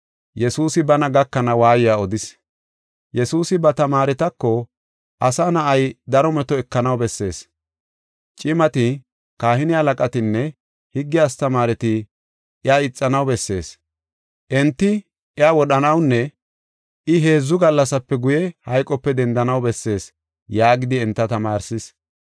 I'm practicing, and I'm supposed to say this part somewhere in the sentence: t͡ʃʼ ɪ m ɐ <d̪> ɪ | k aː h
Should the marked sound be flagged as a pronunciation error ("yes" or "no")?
yes